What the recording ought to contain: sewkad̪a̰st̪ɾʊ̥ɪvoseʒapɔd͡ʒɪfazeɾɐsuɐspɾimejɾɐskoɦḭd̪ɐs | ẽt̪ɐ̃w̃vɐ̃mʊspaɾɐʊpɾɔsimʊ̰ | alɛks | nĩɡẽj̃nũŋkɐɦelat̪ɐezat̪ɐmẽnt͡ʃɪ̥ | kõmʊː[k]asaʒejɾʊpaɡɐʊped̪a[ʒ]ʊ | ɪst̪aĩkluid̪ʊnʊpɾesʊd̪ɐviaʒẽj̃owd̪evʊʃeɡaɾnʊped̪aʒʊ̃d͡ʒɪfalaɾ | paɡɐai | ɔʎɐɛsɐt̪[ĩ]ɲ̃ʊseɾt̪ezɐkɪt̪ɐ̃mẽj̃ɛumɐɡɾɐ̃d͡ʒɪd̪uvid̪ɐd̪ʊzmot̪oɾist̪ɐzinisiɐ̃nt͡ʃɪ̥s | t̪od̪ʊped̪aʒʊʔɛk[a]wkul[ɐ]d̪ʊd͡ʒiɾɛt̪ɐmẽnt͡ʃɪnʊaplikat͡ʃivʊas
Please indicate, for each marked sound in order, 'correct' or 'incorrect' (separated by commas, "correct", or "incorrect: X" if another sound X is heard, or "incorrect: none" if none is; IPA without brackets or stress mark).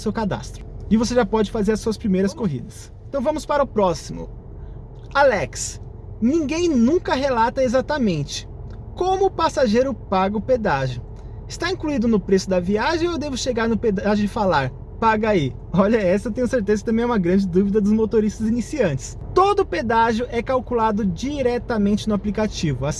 incorrect: p, correct, incorrect: ẽ, correct, incorrect: a